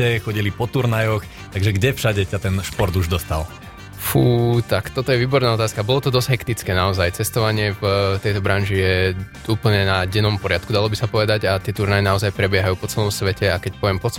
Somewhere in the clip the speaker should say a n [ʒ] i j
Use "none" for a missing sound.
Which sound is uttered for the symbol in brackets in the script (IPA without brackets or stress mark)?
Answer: ʒ